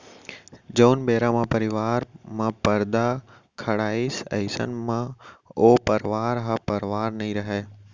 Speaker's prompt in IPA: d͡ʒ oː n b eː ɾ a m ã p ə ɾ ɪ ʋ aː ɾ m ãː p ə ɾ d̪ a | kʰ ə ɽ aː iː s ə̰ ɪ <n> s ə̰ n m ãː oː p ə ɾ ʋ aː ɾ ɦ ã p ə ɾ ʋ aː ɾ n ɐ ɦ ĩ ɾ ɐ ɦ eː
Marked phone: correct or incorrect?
incorrect